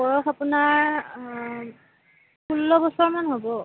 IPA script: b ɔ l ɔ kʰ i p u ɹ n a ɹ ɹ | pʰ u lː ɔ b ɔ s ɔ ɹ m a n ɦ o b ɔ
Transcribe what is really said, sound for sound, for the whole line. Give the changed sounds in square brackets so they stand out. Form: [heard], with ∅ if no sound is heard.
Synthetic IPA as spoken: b ɔ [ɹ] ɔ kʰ [a] p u [∅] n a ɹ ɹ | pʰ u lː ɔ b ɔ s ɔ ɹ m a n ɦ o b ɔ